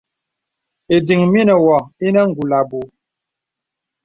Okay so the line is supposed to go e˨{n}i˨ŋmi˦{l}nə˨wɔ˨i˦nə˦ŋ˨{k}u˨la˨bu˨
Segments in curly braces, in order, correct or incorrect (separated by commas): incorrect, incorrect, incorrect